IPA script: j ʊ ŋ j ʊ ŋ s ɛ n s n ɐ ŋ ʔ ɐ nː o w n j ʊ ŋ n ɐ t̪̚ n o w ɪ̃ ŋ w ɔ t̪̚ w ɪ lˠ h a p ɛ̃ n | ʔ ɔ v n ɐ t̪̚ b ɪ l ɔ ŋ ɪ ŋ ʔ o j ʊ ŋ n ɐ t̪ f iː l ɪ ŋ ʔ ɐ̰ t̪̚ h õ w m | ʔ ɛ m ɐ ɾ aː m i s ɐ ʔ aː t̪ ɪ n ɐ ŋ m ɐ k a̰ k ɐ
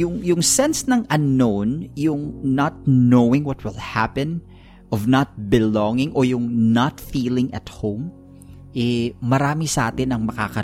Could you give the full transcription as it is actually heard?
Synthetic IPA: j ʊ ŋ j ʊ ŋ s ɛ n s n ɐ ŋ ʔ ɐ nː o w n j ʊ ŋ n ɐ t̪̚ n o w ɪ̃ ŋ w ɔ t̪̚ w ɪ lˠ h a p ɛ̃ n | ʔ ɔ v n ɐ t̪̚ b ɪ l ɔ ŋ ɪ ŋ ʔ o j ʊ ŋ n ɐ t̪ f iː l ɪ ŋ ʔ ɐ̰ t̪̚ h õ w m | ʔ ɛ m ɐ ɾ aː m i s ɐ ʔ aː t̪ ɪ n ɐ ŋ m ɐ k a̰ k ɐ